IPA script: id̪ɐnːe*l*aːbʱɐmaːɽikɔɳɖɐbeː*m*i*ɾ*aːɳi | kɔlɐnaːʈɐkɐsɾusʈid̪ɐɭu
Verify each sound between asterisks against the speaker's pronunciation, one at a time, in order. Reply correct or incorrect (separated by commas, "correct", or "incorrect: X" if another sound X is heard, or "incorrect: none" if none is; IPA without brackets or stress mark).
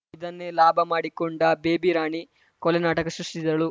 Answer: correct, incorrect: b, correct